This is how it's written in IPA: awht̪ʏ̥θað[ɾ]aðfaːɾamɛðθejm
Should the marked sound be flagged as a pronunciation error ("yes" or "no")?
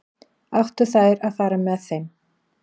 no